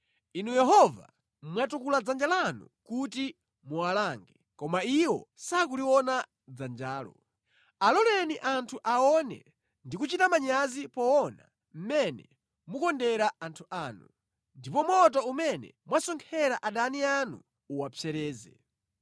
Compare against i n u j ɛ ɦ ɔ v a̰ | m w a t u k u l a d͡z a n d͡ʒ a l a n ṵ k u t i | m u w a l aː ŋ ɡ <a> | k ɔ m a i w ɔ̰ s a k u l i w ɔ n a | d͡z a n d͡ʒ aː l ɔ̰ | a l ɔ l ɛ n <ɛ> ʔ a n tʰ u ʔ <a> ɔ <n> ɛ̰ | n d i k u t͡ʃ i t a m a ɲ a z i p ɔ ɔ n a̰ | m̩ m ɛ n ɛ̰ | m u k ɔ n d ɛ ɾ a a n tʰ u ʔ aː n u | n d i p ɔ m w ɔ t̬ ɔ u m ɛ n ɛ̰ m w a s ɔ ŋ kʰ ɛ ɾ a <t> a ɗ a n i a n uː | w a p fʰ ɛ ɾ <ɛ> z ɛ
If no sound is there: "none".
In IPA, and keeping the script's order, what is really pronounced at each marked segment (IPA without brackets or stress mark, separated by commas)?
ɛ, i, a, n, ʔ, ɛː